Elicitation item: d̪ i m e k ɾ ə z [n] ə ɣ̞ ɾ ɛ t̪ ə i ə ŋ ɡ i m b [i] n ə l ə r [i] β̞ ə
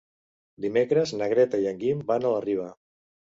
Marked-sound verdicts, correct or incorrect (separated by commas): correct, incorrect, correct